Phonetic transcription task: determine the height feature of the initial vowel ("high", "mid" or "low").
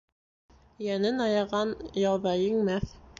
low